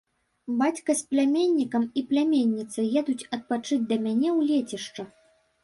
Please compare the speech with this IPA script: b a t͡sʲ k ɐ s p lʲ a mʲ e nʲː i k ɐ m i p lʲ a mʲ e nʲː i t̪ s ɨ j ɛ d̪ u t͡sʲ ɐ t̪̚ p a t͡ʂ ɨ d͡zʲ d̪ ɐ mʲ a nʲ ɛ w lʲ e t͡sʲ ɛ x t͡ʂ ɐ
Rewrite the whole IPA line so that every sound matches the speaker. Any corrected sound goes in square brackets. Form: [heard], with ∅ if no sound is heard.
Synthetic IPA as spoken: b a t͡sʲ k ɐ s p lʲ a mʲ e nʲː i k ɐ m i p lʲ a mʲ e nʲː i t̪ s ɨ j ɛ d̪ u t͡sʲ ɐ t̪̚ p a t͡ʂ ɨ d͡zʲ d̪ ɐ mʲ a nʲ ɛ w lʲ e t͡sʲ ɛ [ʂ] t͡ʂ ɐ